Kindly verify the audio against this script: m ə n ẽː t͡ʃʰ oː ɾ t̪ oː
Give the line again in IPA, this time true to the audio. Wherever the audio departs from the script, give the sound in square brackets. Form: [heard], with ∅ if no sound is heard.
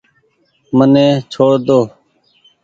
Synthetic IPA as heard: m ə n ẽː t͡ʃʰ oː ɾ [d̪] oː